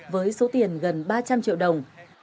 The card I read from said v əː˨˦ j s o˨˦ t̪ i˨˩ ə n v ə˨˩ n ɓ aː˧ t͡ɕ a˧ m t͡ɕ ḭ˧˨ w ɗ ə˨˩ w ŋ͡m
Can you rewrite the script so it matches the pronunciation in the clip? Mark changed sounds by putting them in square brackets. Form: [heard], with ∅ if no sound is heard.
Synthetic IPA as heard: v əː˨˦ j s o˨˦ t̪ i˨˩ ə n [ɣ] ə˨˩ n ɓ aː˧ t͡ɕ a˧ m t͡ɕ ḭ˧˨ w ɗ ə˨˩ w ŋ͡m